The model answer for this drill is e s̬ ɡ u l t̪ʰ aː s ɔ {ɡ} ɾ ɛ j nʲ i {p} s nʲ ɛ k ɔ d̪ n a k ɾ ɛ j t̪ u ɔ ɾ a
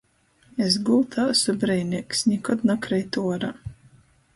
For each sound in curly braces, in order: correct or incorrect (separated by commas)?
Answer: incorrect, incorrect